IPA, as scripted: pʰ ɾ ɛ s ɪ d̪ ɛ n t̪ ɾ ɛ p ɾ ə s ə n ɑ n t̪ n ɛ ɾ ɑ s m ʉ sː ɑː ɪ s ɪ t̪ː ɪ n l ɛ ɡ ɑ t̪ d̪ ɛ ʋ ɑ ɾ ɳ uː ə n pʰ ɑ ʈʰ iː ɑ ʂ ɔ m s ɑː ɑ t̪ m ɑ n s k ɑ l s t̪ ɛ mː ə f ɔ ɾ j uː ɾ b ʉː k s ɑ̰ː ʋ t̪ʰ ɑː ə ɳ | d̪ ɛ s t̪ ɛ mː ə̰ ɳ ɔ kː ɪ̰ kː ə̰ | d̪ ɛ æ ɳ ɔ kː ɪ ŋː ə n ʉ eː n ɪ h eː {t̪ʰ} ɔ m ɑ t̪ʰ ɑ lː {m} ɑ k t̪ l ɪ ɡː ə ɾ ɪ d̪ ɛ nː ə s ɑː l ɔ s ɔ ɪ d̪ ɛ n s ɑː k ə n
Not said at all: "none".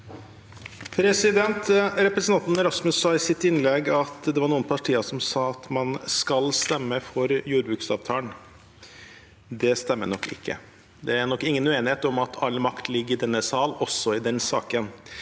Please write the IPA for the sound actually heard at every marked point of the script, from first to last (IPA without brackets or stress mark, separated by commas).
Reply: t̪, m